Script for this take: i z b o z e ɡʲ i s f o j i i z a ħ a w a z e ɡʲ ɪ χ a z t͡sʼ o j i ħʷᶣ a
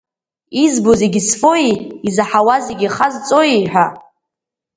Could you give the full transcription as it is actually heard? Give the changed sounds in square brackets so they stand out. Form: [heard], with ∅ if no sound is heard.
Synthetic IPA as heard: i z b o z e ɡʲ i s f o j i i z a ħ a w a z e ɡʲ [i] χ a z t͡sʼ o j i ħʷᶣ a